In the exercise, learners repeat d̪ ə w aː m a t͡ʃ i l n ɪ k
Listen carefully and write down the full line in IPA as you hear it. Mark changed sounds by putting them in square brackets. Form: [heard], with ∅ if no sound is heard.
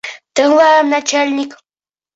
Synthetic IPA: [t̪] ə w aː [n] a t͡ʃ [a] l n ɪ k